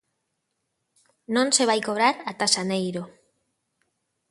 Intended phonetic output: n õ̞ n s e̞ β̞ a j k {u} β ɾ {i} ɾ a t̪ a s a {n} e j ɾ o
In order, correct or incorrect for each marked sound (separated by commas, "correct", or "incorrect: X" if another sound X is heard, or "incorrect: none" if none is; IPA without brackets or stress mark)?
incorrect: o, incorrect: a, correct